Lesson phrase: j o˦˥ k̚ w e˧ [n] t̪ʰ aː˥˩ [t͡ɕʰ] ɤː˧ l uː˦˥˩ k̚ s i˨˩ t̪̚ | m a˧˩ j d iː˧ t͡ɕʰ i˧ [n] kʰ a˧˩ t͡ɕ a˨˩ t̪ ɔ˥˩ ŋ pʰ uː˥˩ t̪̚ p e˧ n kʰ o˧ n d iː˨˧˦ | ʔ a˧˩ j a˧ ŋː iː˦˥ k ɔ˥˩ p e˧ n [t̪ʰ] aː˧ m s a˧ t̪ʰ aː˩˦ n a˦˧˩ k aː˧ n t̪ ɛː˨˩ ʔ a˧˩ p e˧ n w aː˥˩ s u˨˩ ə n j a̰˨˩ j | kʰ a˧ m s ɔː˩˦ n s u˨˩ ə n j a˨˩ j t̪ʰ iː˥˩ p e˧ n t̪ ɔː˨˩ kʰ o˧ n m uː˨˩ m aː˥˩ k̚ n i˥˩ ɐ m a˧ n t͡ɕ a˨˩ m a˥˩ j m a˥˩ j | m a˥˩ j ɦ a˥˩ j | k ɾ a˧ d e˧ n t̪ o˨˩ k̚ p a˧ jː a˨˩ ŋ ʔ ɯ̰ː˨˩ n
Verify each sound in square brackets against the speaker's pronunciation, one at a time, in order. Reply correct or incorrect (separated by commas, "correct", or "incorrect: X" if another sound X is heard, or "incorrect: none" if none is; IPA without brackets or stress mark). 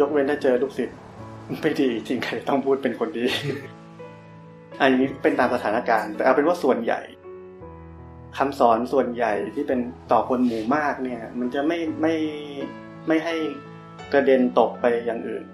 correct, incorrect: t͡ɕ, incorrect: ŋ, incorrect: t̪